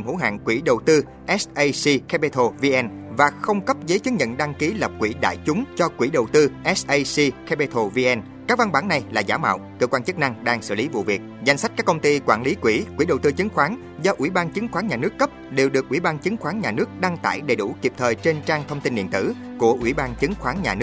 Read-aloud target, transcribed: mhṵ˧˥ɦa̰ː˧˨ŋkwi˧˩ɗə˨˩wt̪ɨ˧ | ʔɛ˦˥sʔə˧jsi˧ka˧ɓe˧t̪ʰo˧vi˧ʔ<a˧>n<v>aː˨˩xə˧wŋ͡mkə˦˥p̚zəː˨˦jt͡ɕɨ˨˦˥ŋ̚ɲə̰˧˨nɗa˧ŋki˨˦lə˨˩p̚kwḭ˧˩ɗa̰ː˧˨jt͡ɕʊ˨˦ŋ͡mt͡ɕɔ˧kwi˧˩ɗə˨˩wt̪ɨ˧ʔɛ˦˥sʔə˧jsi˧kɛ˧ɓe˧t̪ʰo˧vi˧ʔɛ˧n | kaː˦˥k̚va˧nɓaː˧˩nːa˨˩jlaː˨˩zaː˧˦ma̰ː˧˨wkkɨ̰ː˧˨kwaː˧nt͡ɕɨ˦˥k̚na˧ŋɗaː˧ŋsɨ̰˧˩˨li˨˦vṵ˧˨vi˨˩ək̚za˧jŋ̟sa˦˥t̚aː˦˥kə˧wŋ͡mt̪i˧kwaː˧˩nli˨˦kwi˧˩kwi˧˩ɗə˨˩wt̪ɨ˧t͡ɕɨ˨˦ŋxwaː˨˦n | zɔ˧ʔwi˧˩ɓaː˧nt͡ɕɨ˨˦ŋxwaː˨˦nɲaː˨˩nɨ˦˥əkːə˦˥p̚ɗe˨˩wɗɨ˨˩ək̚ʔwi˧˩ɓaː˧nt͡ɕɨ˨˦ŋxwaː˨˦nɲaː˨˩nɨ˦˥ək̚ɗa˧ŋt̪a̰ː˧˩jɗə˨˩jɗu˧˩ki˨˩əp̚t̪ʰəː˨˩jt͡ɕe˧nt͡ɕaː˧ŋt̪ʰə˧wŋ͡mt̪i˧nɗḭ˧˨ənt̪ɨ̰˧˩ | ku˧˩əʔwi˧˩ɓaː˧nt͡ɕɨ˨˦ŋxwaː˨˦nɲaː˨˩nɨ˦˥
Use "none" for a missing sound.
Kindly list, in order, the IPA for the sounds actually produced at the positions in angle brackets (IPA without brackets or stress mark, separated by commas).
ɛ˧, v